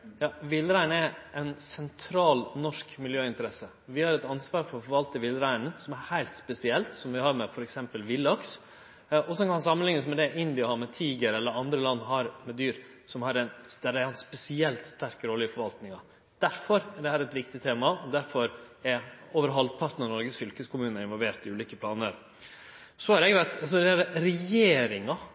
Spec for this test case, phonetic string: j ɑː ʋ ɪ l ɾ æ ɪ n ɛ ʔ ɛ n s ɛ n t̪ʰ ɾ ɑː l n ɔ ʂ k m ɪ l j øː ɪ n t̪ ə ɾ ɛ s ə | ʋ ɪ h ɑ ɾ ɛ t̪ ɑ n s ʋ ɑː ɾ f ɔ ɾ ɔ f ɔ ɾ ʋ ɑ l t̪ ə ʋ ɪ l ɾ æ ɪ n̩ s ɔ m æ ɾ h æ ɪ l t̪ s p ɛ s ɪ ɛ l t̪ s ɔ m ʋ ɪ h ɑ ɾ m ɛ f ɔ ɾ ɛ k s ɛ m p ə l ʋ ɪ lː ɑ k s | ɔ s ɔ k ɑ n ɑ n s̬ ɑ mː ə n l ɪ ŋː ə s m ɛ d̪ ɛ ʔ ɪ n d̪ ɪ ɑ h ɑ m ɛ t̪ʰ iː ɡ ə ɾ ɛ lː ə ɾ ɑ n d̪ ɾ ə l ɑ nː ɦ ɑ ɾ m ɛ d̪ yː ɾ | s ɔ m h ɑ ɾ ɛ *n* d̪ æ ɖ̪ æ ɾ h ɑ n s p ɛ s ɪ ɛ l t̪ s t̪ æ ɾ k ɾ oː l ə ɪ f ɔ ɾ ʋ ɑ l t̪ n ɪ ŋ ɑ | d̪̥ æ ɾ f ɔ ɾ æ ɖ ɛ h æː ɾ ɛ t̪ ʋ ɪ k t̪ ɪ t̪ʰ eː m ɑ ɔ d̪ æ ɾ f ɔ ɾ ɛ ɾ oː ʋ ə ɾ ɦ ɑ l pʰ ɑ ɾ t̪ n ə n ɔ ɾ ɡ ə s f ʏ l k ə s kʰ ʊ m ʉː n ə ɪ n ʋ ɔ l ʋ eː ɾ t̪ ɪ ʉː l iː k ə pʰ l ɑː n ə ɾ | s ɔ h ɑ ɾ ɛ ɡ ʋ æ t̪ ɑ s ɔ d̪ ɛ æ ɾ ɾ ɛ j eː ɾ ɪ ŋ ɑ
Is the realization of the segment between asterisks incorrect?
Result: no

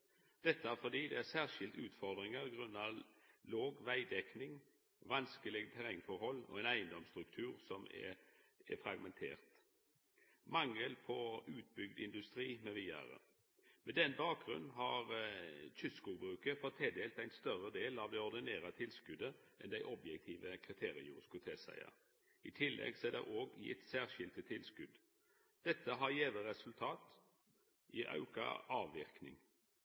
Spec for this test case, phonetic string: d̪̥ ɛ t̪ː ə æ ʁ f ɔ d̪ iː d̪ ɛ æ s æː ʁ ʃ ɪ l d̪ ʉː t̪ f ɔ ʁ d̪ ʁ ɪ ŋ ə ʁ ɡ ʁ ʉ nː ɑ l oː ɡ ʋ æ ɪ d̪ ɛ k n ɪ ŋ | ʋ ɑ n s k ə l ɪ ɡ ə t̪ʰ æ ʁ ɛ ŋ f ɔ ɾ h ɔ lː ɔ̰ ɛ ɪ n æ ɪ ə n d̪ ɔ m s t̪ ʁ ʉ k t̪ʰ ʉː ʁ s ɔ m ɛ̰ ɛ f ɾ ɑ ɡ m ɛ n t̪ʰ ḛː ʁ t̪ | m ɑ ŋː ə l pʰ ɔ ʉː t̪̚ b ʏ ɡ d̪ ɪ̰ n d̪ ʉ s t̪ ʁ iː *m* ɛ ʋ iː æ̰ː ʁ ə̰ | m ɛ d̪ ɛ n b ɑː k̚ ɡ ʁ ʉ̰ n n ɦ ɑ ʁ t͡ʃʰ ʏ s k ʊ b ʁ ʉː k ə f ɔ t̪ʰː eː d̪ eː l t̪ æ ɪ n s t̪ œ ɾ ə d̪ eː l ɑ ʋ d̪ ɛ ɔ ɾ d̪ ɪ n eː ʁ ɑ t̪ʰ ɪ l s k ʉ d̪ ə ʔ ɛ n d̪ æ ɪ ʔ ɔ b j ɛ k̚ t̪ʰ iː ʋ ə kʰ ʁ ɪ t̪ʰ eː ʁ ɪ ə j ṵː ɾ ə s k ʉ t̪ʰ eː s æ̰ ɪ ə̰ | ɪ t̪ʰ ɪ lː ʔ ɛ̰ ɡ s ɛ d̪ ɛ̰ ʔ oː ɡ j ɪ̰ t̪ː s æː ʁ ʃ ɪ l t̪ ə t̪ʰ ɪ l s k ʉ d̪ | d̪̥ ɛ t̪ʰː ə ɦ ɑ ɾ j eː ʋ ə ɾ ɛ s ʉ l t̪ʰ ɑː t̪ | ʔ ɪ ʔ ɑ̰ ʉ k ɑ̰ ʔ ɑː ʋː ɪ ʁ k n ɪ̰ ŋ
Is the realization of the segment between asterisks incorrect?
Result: no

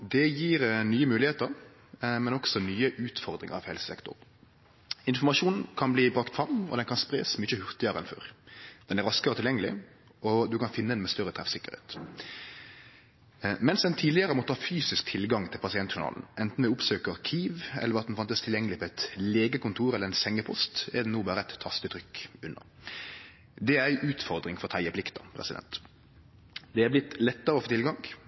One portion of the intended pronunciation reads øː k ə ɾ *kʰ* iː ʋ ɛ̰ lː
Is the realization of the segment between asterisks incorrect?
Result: no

